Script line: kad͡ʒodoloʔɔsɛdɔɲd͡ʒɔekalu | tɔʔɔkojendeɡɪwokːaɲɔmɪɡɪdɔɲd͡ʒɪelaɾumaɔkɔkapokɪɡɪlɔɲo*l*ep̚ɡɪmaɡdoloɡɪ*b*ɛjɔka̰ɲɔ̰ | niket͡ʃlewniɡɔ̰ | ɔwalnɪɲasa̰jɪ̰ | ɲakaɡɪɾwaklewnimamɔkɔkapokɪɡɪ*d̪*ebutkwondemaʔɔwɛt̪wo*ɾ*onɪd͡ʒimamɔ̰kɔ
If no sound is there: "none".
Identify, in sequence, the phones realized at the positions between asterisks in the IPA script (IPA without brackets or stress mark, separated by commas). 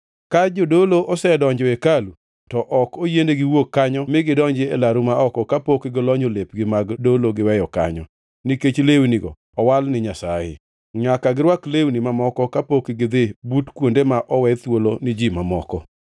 l, w, d̪, l